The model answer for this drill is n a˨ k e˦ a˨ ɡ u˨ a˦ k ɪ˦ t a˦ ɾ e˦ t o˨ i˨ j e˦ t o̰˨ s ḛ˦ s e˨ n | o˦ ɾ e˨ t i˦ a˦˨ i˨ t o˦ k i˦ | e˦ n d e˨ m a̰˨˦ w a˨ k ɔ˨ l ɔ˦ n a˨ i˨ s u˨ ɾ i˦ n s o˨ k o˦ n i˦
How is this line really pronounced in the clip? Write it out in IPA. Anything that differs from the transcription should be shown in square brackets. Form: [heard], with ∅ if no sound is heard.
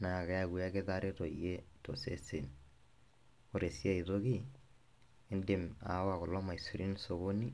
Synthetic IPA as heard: n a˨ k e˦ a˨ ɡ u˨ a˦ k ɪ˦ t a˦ ɾ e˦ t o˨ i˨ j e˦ t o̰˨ s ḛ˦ s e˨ n | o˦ ɾ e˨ [s] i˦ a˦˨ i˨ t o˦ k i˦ | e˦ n d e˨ m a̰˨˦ w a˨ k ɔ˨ l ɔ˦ [m] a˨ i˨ s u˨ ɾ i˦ n s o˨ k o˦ n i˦

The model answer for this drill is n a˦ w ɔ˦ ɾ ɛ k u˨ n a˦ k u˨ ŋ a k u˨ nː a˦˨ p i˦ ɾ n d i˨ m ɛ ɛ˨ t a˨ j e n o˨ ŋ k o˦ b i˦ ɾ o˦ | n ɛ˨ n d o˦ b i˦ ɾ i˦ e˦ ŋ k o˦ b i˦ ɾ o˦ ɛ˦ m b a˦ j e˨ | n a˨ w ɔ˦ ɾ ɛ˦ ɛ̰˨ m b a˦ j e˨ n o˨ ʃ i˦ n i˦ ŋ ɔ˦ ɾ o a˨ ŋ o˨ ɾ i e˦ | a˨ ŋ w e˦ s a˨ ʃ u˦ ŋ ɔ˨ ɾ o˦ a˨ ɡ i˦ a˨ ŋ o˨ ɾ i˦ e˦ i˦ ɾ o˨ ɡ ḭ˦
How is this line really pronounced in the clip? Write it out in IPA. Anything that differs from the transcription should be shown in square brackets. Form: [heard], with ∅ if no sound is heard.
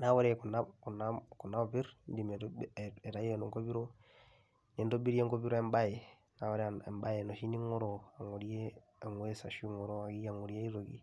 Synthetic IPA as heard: n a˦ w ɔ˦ ɾ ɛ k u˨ n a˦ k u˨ [n] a k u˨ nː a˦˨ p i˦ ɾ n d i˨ m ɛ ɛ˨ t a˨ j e n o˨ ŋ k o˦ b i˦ ɾ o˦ | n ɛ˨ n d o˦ b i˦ ɾ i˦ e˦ ŋ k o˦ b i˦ ɾ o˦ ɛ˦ m b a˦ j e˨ | n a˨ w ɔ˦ ɾ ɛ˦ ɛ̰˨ m b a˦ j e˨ n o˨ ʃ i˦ n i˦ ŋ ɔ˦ ɾ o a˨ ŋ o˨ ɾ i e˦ | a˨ ŋ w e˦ s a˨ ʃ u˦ ŋ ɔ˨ ɾ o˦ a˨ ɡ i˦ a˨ ŋ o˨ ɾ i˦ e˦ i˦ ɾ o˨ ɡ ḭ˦

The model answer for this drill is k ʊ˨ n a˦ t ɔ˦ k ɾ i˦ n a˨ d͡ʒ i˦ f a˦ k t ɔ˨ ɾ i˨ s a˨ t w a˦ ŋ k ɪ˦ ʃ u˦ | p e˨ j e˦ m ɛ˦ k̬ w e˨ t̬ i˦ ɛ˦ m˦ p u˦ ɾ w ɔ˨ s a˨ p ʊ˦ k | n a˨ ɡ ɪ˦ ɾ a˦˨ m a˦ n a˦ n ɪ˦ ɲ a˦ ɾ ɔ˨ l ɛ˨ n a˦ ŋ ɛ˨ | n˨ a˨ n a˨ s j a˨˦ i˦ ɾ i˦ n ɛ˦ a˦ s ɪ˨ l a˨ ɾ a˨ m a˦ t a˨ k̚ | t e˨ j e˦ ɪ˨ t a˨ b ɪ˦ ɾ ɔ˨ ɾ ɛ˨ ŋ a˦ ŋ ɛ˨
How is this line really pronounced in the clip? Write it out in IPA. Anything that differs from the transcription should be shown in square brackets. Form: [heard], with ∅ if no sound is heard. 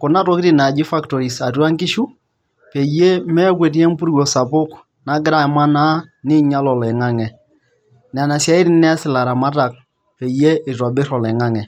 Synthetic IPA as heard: k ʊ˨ n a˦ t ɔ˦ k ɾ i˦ n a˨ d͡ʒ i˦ f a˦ k t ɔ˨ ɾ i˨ s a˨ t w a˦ ŋ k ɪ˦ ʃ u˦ | p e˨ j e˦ m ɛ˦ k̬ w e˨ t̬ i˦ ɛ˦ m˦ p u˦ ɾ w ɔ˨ s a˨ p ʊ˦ k | n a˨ ɡ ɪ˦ ɾ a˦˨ m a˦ n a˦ n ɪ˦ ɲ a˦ [l] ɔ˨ l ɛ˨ [ŋ] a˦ ŋ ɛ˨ | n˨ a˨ n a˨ s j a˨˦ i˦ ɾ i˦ n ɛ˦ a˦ s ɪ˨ l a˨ ɾ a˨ m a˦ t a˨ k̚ | [p] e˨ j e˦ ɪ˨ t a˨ b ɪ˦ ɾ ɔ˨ [l] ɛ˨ ŋ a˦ ŋ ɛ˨

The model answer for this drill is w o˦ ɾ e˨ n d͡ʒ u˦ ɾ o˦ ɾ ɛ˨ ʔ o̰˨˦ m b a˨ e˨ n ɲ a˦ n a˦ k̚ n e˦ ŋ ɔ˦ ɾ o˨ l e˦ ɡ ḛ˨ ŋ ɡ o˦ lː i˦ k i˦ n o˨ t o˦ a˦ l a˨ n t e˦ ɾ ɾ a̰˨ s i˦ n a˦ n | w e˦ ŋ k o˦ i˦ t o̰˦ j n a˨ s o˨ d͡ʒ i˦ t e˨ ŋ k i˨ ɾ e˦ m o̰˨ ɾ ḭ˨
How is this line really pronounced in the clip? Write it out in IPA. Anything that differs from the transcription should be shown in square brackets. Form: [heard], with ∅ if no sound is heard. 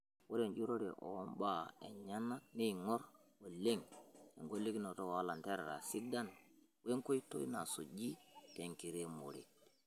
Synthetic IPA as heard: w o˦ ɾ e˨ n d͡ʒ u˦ ɾ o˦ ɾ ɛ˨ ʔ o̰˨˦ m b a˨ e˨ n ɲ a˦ n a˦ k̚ n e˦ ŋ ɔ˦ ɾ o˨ l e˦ [ŋ] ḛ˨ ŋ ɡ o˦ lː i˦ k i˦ n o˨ t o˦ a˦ l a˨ n t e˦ ɾ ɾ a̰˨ s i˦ [d] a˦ n | w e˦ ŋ k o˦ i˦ t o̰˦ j n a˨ s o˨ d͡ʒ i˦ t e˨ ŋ k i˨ ɾ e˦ m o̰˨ ɾ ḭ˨

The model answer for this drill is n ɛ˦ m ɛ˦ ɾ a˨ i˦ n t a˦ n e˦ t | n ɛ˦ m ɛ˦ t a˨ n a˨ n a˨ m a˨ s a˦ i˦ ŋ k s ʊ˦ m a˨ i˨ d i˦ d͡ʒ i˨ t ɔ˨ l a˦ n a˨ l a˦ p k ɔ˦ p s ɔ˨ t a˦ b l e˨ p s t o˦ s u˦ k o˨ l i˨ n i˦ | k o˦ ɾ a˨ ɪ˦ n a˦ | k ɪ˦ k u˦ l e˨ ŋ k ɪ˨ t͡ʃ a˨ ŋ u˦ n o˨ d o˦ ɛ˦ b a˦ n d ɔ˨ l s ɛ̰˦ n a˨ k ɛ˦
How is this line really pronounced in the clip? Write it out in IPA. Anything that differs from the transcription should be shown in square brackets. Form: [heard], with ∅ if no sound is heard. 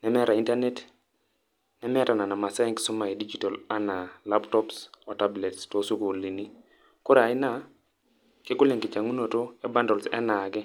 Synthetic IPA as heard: n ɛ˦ m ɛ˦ ɾ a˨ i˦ n t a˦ n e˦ t | n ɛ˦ m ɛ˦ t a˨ n a˨ n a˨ m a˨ s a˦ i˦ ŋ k s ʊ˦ m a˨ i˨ d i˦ d͡ʒ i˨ t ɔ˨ l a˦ n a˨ l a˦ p [t] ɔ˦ p s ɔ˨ t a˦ b l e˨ [t] s t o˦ s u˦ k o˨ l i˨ n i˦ | k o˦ ɾ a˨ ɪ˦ n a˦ | k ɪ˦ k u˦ l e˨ ŋ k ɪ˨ t͡ʃ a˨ ŋ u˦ n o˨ [t] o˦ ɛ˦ b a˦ n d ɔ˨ l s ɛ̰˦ n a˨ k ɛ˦

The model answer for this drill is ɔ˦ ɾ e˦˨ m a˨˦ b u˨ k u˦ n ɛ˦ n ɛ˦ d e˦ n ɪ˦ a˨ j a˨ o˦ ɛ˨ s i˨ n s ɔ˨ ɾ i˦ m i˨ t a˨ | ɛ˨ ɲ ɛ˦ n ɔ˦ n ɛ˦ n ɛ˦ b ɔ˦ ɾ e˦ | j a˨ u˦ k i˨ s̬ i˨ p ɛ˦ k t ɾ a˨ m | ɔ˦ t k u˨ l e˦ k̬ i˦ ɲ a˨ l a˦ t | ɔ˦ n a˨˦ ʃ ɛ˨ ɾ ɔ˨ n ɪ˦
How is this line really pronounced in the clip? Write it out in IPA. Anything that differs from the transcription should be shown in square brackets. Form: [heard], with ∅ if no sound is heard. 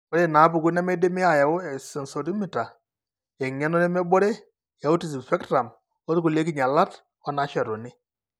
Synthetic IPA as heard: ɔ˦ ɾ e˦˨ [n] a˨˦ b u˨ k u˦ n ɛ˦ [m] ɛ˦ d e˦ [m] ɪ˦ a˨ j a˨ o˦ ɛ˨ s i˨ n s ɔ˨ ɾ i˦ m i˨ t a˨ | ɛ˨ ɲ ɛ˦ n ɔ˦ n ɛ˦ [m] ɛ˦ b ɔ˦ ɾ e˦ | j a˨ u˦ [t] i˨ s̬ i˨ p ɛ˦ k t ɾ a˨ m | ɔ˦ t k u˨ l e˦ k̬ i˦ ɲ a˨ l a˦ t | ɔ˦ n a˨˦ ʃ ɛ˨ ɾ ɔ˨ n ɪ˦

